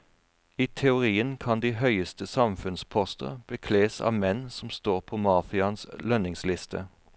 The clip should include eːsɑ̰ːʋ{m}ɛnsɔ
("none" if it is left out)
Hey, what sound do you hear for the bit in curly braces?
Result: m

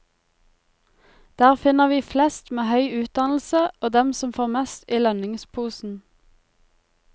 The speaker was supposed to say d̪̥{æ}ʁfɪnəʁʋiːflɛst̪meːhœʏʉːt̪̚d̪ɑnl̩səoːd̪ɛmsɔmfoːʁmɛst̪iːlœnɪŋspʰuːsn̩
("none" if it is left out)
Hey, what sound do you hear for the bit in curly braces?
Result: æː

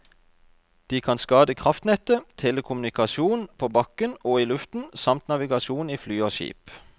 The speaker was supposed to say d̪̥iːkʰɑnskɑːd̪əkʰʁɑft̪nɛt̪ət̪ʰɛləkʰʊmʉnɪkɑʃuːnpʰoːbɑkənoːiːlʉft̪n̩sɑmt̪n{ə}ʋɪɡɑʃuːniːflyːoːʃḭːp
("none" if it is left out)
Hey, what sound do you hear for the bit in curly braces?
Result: ɑ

